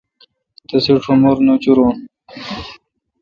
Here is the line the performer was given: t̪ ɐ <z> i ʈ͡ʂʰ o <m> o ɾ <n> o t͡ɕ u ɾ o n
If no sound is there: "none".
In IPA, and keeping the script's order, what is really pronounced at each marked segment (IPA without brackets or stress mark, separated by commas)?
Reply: s, m, n